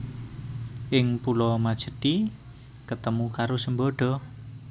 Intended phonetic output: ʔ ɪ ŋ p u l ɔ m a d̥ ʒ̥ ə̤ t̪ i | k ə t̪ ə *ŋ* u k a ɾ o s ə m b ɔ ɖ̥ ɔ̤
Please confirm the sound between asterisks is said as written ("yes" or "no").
no